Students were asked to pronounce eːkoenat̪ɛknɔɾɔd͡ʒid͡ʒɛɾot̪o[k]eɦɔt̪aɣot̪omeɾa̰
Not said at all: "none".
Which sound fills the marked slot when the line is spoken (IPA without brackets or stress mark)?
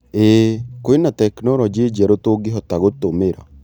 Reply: ɡ